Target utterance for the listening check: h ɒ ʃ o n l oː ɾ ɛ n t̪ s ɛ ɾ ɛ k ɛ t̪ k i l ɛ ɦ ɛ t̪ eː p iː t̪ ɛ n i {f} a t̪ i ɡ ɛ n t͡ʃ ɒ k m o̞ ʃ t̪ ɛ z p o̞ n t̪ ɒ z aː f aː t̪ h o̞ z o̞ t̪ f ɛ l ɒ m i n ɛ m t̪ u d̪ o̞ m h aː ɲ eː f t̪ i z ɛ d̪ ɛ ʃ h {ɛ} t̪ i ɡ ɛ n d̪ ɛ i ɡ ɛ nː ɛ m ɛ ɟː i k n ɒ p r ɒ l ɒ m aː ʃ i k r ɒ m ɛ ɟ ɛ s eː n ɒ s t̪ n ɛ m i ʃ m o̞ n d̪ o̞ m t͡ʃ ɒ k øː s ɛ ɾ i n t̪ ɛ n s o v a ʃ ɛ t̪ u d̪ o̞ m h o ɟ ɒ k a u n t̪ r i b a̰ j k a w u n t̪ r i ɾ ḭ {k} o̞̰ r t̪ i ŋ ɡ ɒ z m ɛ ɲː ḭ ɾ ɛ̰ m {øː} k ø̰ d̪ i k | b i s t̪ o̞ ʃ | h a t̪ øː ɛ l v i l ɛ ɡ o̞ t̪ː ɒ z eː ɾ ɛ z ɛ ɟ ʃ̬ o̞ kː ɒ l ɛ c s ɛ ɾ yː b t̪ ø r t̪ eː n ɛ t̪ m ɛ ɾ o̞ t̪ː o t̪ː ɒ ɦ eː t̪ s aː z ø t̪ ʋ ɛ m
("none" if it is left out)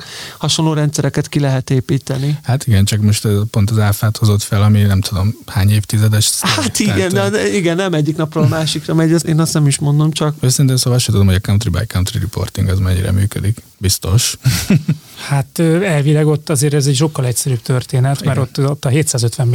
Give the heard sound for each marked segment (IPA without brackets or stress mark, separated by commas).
h, a, p, yː